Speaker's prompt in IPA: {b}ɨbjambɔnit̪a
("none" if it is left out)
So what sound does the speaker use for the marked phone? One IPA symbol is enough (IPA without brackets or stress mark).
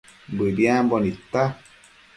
b